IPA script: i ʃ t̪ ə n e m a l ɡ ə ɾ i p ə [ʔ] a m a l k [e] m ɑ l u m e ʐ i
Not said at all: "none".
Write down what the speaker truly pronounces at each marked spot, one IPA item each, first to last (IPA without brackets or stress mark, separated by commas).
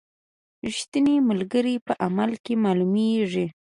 ʔ, e